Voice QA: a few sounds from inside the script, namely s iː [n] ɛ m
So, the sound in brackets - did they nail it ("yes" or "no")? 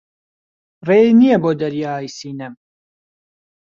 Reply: yes